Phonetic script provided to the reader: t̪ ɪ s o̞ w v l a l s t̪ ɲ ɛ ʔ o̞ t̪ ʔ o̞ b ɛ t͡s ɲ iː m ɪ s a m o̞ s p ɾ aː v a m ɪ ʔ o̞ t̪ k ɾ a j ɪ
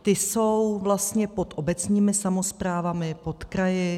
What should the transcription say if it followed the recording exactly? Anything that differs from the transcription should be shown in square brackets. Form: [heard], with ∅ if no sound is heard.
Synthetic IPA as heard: t̪ ɪ s o̞ w v l a [∅] s t̪ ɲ ɛ [p] o̞ t̪ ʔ o̞ b ɛ t͡s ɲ iː m ɪ s a m o̞ s p ɾ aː v a m ɪ [p] o̞ t̪ k ɾ a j ɪ